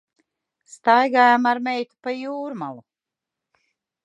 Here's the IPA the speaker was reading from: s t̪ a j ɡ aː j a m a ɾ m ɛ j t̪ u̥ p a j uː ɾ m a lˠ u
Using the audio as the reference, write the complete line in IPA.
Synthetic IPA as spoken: s t̪ a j ɡ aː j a m a ɾ m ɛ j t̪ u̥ p a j uː ɾ m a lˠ u

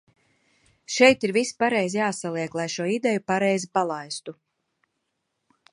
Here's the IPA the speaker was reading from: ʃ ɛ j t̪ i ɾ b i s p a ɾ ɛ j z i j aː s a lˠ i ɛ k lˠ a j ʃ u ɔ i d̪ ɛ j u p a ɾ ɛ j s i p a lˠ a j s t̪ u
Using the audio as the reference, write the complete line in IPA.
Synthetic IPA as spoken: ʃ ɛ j t̪ i ɾ v i s p a ɾ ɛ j z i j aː s a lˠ i ɛ k lˠ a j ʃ u ɔ i d̪ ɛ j u p a ɾ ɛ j z i p a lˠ a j s t̪ u

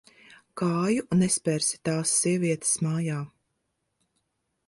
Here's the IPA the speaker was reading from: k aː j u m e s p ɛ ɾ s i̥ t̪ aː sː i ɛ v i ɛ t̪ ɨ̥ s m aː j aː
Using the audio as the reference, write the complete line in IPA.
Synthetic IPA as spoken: k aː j u n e s p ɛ ɾ s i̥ t̪ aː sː i ɛ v i ɛ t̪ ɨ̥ s m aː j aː

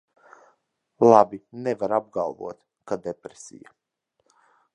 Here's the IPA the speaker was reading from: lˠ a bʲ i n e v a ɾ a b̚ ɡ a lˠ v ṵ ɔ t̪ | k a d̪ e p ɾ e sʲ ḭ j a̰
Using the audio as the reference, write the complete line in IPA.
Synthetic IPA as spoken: lˠ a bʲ i n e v a ɾ a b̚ ɡ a lˠ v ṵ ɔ t̪ | k a d̪ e p ɾ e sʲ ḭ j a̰

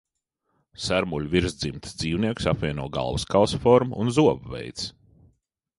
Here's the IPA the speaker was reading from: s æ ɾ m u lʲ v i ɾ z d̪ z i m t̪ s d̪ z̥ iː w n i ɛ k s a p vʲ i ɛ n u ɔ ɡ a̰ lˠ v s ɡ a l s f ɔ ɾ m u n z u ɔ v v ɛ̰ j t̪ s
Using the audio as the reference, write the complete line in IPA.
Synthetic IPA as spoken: s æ ɾ m u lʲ v i ɾ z d̪ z i m t̪ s d̪ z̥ iː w n i ɛ k s a p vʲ i ɛ n u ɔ ɡ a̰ lˠ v s k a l s f ɔ ɾ m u n z u ɔ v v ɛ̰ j t̪ s

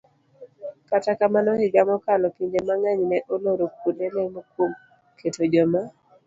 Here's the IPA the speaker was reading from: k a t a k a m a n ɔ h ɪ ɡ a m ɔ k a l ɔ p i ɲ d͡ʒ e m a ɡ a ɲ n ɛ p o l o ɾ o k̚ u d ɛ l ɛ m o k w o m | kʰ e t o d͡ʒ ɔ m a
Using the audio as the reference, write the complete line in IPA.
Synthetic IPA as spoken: k a t a k a m a n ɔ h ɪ ɡ a m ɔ k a l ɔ p i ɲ d͡ʒ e m a ŋ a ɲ n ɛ ʔ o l o ɾ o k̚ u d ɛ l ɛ m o k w o m | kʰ e t o d͡ʒ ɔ m a

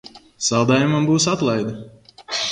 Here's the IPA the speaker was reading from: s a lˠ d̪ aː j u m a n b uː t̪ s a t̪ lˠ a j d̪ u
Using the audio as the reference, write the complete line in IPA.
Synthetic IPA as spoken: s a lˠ d̪ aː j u m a m b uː s a t̪ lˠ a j d̪ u

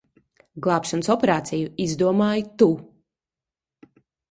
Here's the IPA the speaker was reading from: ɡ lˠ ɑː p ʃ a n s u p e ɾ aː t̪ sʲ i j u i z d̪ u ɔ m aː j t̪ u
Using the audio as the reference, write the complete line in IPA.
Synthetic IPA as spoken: ɡ lˠ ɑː p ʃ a n s ɔ p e ɾ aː t̪ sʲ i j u i z d̪ u ɔ m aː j t̪ u

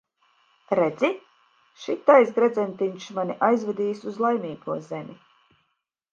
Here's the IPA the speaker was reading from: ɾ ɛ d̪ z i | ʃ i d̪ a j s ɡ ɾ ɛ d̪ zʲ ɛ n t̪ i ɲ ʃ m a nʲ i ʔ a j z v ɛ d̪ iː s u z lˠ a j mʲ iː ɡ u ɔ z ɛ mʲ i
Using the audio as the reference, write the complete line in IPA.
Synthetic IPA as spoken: ɾ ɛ d̪ z i | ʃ i t̪ a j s ɡ ɾ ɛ d̪ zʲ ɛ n t̪ i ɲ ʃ m a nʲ i ʔ a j z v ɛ d̪ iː s u z lˠ a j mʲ iː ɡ u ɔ z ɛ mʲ i

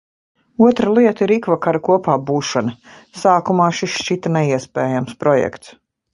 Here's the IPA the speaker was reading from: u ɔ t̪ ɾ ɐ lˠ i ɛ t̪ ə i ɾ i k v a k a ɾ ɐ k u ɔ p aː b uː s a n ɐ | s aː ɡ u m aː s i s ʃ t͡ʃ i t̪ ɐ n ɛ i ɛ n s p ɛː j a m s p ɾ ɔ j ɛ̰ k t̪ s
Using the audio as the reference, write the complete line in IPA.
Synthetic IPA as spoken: u ɔ t̪ ɾ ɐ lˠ i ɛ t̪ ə i ɾ i k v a k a ɾ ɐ k u ɔ p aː b uː ʃ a n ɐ | s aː k u m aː ʃ i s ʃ t͡ʃ i t̪ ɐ n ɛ i ɛ s p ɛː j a m s p ɾ ɔ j ɛ̰ k t̪ s

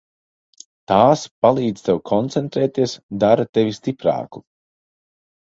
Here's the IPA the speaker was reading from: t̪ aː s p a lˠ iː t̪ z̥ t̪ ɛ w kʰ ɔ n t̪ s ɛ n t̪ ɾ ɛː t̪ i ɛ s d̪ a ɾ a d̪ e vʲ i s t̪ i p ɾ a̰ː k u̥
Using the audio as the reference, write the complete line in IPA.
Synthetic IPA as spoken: t̪ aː s p a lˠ iː d̪ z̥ t̪ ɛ w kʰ ɔ n t̪ s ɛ n t̪ ɾ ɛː t̪ i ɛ s d̪ a ɾ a t̪ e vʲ i s t̪ i p ɾ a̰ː k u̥

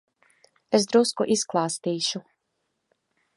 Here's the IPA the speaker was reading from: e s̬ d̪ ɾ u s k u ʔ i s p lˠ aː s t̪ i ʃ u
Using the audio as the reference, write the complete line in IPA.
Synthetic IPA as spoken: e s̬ d̪ ɾ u s k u ʔ i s k lˠ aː s t̪ iː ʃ u

